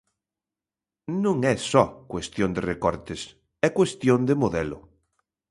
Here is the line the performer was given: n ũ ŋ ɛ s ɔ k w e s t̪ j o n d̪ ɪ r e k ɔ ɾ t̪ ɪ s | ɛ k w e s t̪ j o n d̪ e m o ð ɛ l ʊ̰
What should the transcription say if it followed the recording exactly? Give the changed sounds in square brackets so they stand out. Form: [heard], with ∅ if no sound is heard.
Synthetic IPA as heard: n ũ ŋ ɛ s ɔ k w e s t̪ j o n d̪ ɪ r e k ɔ ɾ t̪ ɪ s | ɛ k w e s t̪ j o n d̪ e m o ð ɛ l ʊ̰